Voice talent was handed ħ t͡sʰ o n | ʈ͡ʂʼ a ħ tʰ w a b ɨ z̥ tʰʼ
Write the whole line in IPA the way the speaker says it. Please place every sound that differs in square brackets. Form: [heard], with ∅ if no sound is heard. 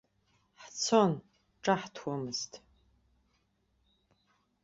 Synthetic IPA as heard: ħ t͡sʰ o n | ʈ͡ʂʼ a ħ tʰ w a [m] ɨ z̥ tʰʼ